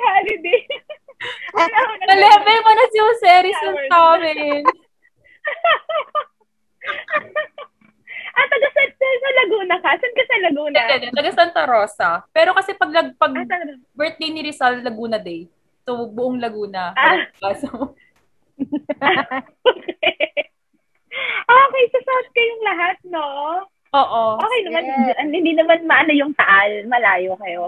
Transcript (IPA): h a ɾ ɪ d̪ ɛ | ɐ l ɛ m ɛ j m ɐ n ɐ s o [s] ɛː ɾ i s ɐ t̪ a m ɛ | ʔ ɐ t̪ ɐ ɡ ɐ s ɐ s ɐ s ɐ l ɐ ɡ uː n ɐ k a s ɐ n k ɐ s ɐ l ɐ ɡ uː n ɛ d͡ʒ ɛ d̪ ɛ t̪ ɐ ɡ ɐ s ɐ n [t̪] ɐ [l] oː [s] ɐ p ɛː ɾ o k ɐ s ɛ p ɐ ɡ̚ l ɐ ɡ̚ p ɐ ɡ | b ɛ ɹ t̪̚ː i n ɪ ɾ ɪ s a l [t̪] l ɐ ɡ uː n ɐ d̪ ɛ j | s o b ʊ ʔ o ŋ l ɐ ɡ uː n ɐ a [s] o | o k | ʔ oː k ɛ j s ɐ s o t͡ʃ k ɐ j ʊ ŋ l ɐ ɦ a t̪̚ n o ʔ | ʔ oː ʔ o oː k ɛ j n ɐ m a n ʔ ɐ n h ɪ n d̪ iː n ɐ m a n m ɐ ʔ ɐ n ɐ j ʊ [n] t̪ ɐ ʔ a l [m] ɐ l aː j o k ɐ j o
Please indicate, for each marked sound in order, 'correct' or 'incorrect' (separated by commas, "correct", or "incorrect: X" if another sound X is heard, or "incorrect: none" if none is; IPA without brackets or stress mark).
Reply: correct, correct, incorrect: ɾ, correct, correct, correct, incorrect: ŋ, correct